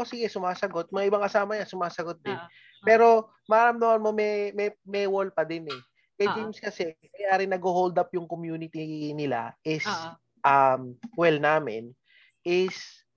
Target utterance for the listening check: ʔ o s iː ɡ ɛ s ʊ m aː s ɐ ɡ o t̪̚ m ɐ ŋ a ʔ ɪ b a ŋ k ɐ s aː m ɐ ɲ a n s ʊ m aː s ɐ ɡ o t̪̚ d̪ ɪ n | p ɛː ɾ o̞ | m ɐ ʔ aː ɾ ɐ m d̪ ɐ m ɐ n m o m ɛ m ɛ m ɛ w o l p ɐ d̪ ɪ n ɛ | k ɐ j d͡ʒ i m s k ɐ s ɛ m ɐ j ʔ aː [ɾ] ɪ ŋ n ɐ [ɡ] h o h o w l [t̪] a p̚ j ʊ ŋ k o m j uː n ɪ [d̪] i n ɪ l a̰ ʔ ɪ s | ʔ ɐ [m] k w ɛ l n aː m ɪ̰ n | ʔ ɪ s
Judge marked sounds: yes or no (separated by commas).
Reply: yes, yes, no, no, yes